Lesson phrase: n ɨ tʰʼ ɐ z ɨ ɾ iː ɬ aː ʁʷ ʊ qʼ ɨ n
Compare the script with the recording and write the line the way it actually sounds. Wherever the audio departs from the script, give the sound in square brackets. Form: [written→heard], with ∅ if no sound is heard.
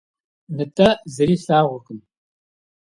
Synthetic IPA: n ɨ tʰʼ ɐ z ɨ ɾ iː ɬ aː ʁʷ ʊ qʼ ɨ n